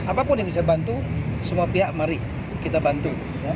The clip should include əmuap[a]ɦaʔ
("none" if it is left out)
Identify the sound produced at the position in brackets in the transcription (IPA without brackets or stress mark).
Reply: i